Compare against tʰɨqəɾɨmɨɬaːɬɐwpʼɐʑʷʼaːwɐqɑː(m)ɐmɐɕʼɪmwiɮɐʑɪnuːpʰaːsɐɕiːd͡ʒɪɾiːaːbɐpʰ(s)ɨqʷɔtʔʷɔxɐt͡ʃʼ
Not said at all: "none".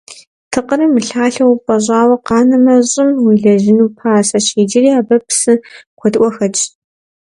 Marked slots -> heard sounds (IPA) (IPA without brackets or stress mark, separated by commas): n, s